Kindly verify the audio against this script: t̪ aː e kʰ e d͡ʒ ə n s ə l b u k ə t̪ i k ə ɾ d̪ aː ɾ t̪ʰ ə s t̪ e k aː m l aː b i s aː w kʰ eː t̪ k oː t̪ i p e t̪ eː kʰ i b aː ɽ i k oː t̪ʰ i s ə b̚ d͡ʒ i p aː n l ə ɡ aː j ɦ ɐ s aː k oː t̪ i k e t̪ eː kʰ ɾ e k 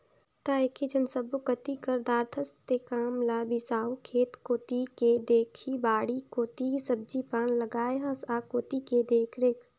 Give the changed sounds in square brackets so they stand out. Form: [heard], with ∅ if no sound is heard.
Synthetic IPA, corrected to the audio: t̪ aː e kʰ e d͡ʒ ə n s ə [∅] b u k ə t̪ i k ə ɾ d̪ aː ɾ t̪ʰ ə s t̪ e k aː m l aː b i s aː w kʰ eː t̪ k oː t̪ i [k] e [d̪] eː kʰ i b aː ɽ i k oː [t̪] i s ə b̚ d͡ʒ i p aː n l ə ɡ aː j ɦ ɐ s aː k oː t̪ i k e [d̪] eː kʰ ɾ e k

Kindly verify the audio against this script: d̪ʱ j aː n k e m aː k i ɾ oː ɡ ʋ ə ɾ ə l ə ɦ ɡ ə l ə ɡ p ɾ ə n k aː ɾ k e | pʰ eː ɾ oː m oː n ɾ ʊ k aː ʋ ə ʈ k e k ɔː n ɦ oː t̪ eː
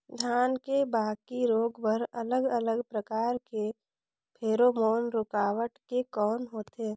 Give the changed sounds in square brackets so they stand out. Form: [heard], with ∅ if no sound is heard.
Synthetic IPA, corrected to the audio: d̪ʱ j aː n k e [b] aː k i ɾ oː ɡ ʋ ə ɾ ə l ə [∅] ɡ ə l ə ɡ p ɾ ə [∅] k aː ɾ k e | pʰ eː ɾ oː m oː n ɾ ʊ k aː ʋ ə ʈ k e k ɔː n ɦ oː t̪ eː

